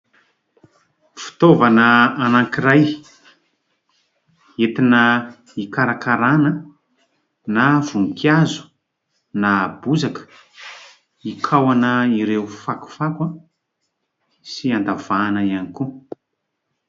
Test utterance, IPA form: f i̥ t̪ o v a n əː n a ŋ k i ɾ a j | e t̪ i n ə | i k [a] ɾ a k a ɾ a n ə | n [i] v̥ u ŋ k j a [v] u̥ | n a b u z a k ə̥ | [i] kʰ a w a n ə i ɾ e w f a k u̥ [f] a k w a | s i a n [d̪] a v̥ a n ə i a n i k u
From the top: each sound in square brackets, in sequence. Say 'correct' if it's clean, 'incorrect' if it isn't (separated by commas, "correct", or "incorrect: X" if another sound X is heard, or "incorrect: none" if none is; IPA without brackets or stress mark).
correct, incorrect: a, incorrect: z, correct, correct, correct